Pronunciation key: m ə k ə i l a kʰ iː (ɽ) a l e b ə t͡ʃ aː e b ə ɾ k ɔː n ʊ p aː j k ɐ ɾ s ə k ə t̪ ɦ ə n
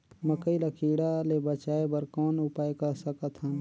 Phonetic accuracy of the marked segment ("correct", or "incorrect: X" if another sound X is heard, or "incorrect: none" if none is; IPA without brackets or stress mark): correct